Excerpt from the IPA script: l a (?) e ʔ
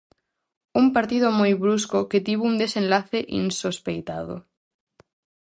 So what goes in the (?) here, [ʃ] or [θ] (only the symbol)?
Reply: θ